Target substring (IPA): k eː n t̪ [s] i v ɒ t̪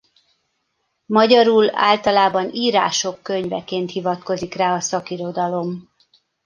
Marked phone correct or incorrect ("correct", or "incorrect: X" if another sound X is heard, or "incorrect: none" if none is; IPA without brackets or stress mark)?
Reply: incorrect: h